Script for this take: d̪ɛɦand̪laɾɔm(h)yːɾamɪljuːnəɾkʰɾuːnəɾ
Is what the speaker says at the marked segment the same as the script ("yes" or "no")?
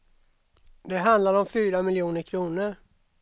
no